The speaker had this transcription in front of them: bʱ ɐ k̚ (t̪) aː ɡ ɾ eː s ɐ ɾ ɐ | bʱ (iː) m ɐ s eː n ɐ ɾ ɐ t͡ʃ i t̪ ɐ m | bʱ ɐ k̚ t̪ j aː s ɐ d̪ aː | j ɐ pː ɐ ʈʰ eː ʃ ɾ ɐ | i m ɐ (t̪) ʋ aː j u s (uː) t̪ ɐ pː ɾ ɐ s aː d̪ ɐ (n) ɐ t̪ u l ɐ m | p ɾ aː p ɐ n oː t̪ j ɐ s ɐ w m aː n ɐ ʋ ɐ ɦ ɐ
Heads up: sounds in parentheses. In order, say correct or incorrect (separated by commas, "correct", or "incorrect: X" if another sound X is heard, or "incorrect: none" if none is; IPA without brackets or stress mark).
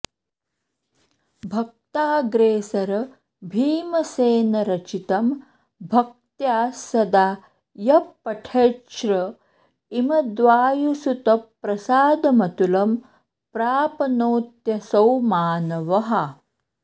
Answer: correct, correct, incorrect: d̪, incorrect: u, incorrect: m